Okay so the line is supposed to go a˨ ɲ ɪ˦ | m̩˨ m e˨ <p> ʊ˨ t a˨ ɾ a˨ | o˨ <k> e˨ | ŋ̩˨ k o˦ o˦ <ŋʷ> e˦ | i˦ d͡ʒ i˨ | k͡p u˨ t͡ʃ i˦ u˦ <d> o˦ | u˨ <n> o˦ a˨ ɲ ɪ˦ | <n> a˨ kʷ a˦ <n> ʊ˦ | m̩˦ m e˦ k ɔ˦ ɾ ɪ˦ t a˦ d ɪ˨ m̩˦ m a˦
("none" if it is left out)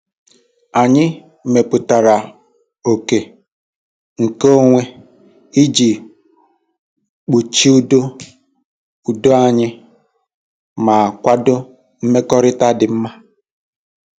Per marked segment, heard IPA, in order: p, k, ŋʷ, d, d, m, d

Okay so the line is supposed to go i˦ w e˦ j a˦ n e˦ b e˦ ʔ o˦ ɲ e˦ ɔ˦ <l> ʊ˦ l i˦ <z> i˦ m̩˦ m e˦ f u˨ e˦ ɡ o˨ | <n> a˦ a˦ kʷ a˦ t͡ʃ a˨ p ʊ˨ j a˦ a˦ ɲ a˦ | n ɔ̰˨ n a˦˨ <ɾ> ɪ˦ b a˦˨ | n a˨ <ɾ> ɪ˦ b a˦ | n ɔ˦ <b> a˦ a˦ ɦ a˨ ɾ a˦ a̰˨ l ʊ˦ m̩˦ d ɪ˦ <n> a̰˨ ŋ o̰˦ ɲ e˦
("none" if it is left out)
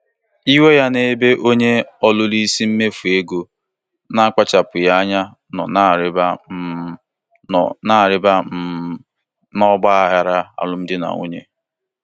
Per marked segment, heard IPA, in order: l, s, n, ɾ, ɾ, ɡ͡b, n

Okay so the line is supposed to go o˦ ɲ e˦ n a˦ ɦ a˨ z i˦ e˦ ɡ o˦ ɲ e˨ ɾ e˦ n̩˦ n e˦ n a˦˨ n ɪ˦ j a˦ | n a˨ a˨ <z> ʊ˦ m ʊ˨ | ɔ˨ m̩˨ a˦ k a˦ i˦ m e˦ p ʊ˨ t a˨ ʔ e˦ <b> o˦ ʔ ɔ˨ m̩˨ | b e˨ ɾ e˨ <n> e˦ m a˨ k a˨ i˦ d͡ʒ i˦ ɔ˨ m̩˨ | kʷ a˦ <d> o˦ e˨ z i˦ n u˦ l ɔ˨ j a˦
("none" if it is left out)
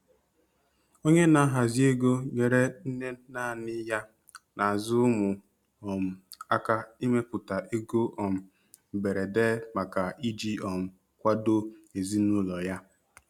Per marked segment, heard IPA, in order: z, ɡ, d, d

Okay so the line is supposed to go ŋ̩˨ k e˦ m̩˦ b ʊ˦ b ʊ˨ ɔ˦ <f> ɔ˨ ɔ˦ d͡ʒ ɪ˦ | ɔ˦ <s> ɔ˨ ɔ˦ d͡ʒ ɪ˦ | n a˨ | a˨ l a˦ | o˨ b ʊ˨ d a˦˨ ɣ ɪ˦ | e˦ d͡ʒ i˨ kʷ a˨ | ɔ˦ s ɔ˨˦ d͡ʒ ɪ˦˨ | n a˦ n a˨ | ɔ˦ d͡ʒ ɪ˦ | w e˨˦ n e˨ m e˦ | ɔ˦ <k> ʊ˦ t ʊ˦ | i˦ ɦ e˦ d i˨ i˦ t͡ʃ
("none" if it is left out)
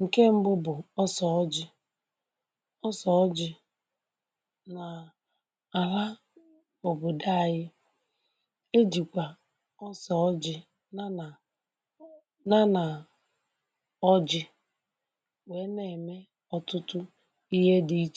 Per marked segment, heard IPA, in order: s, s, t

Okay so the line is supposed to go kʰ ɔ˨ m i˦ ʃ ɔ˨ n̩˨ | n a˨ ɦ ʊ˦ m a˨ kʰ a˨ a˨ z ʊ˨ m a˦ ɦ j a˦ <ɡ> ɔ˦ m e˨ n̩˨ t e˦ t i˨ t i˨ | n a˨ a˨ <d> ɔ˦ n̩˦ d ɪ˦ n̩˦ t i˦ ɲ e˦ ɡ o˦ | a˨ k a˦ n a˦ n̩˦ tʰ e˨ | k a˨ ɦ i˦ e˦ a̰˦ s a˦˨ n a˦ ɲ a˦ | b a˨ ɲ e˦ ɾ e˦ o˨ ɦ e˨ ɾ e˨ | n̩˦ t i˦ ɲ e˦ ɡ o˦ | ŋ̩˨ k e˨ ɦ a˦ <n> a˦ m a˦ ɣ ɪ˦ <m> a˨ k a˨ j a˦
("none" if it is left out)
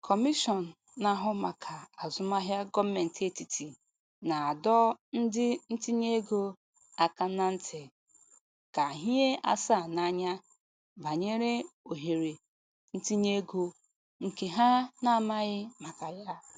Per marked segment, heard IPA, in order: ɡ, d, n, m

